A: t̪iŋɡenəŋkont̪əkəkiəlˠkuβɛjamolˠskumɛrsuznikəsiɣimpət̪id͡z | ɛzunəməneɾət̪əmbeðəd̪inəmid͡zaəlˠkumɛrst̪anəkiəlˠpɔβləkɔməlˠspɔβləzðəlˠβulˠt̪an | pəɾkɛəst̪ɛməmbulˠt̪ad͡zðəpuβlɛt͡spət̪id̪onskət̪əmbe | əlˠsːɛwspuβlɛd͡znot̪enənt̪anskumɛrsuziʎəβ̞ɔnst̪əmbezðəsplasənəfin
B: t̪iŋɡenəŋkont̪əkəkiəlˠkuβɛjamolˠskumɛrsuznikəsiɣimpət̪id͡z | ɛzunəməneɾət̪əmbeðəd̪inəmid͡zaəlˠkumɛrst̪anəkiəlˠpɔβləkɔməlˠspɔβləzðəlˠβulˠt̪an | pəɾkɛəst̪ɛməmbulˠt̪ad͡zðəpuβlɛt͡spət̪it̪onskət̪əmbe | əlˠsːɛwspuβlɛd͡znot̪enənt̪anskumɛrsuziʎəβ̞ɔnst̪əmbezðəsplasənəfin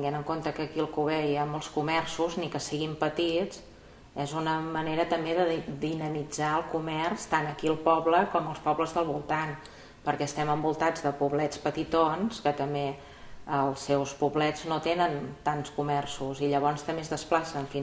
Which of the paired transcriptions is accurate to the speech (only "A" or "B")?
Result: B